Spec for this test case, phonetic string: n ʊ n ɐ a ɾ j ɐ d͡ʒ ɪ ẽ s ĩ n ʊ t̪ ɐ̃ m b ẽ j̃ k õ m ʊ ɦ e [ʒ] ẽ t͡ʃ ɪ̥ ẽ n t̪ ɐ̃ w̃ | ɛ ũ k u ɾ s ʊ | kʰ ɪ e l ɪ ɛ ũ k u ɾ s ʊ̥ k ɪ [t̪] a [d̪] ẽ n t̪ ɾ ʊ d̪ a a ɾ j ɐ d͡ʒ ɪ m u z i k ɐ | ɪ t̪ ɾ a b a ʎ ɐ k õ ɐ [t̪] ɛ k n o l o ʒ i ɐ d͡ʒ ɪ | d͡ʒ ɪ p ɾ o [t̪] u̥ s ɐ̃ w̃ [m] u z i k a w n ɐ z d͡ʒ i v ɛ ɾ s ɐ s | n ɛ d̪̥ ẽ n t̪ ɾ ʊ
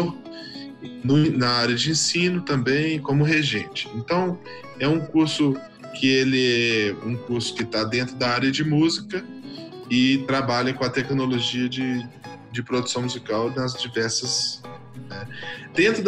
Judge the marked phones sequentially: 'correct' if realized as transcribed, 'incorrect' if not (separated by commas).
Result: correct, correct, correct, correct, incorrect, correct